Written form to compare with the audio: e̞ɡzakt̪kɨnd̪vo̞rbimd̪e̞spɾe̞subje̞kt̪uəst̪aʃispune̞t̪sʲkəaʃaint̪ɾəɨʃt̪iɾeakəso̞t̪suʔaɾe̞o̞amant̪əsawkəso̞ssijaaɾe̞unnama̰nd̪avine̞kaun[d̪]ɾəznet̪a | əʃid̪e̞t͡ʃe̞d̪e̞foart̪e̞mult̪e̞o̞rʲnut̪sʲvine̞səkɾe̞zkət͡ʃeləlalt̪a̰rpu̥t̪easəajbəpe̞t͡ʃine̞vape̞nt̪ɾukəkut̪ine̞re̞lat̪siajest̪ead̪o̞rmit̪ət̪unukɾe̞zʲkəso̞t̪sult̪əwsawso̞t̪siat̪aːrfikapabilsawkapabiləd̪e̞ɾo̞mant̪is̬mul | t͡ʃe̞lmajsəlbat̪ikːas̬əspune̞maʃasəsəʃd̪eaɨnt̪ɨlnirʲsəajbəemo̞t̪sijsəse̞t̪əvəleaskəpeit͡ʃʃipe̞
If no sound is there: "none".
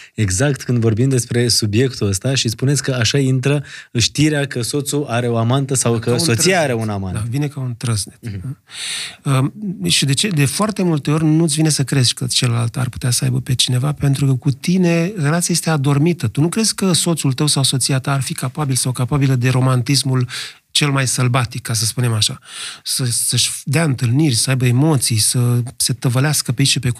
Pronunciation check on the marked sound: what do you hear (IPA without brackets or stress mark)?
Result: t̪